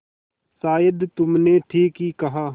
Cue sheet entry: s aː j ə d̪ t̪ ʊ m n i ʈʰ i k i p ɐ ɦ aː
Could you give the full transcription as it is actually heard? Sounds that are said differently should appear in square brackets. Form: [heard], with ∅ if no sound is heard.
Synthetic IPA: s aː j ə d̪ t̪ ʊ m n [e] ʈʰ [iː] k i [k] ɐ ɦ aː

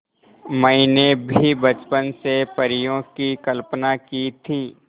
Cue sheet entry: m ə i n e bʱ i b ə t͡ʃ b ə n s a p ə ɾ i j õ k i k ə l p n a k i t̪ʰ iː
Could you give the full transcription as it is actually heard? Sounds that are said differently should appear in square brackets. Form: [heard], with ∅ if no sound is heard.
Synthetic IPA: m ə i n e bʱ i b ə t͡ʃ [p] ə n s [e] p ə ɾ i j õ k i k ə l p n a k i t̪ʰ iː

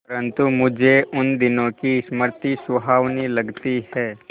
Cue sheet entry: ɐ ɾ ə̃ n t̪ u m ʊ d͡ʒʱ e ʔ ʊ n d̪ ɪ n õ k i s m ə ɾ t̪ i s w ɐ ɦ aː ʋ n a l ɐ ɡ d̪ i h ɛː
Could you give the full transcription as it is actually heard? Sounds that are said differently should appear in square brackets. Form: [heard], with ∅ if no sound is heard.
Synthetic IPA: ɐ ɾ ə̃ n t̪ u m ʊ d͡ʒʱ e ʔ ʊ n d̪ ɪ n õ k i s m ə ɾ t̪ i s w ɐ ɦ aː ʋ n [i] l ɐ ɡ [t̪] i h ɛː

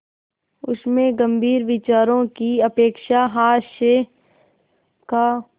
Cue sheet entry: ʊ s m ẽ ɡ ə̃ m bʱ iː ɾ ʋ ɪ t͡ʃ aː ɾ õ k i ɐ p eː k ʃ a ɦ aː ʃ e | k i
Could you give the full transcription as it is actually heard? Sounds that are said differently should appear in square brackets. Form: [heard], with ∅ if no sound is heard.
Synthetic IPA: ʊ s m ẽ ɡ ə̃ m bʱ iː ɾ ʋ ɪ t͡ʃ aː ɾ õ k i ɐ p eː k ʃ a ɦ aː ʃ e | k [a]

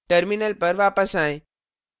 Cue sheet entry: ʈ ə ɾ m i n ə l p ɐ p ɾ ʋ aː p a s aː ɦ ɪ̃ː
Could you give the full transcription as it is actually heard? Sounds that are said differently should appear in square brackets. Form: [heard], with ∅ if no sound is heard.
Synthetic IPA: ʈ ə ɾ m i n ə l p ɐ [∅] ɾ ʋ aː p [ə] s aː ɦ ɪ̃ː

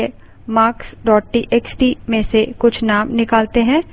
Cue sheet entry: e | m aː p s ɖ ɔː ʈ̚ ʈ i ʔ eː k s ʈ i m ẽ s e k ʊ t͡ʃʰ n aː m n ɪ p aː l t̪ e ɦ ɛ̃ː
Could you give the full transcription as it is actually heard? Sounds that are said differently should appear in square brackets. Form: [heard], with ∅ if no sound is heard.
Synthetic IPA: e | m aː [k] s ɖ ɔː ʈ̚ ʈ i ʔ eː k s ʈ i m ẽ s e k ʊ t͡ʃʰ n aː m n ɪ [k] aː l t̪ e ɦ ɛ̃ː

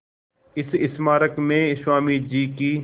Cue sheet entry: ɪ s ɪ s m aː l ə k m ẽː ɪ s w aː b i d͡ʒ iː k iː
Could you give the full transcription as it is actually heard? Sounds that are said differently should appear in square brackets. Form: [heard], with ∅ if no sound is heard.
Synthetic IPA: ɪ s ɪ s m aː [ɾ] ə k m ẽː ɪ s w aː [m] i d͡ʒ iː k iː

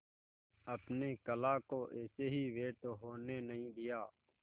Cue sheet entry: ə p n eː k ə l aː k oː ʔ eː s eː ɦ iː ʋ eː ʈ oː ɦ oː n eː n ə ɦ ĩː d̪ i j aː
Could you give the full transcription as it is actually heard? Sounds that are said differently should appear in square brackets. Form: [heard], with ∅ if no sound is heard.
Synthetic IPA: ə p n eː k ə l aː k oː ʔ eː s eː ɦ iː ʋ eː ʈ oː ɦ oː n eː n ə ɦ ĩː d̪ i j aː

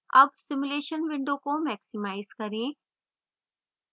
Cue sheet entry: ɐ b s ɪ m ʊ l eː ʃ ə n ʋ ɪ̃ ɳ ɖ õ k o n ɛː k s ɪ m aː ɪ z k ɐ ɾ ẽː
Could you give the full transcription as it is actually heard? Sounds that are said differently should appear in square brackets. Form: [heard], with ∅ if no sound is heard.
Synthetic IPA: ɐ b s ɪ m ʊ l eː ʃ ə n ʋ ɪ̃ ɳ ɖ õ k o [m] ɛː k s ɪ m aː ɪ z k ɐ ɾ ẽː

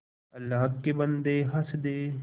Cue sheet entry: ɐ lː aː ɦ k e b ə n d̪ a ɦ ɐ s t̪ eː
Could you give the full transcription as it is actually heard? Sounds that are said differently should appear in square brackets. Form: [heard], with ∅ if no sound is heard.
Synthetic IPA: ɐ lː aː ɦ k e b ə n d̪ [e] ɦ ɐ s [d̪] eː

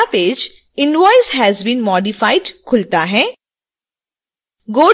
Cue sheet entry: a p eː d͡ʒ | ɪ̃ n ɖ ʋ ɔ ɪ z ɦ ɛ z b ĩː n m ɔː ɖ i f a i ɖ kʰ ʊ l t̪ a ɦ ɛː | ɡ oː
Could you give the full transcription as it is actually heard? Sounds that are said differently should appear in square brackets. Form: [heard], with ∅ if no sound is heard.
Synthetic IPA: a p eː d͡ʒ | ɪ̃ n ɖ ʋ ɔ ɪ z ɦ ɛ z b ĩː n m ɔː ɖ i f a [ɪ] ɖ kʰ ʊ l t̪ a ɦ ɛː | ɡ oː

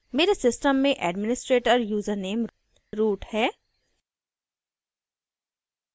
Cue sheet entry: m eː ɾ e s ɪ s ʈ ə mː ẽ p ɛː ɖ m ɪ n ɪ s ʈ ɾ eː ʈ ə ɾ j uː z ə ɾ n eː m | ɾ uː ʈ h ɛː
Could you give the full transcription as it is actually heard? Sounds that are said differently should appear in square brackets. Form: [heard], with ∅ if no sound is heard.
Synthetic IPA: m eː ɾ e s ɪ s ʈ ə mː ẽ [ʔ] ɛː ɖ m ɪ n ɪ s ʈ ɾ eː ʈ ə ɾ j uː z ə ɾ n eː m | ɾ uː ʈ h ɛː

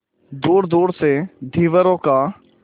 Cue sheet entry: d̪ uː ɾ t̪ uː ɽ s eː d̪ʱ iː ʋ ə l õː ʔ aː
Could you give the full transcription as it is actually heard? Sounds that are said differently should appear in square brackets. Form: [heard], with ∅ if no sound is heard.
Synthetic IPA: d̪ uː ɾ [d̪] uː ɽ s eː d̪ʱ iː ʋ ə [ɾ] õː [k] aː

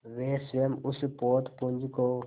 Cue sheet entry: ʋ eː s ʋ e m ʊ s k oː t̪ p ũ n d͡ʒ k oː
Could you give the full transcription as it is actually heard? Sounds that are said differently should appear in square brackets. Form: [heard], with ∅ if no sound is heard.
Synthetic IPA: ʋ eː s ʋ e m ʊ s [p] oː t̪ p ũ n d͡ʒ k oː

